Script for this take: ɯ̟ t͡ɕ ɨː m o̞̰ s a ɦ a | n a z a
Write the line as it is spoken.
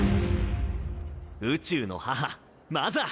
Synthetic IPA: ɯ̟ t͡ɕ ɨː n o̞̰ h a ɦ a | m a z a